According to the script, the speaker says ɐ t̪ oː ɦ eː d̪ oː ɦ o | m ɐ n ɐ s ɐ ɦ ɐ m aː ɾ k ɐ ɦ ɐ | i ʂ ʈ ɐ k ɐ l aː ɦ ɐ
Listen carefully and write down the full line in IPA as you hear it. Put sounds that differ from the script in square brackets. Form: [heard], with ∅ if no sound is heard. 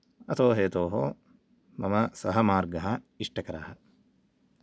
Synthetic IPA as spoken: ɐ t̪ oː ɦ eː [t̪] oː ɦ o | m ɐ [m] ɐ s ɐ ɦ ɐ m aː ɾ [ɡ] ɐ ɦ ɐ | i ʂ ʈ ɐ k ɐ [ɾ] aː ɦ ɐ